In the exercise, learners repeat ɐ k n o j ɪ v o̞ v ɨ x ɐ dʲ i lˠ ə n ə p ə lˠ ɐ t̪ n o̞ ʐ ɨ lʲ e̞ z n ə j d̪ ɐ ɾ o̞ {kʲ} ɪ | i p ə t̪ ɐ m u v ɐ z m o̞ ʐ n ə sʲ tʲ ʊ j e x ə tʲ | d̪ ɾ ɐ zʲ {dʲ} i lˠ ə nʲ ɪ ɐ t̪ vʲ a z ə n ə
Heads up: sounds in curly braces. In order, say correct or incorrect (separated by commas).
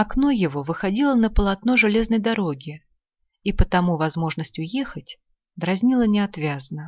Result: incorrect, incorrect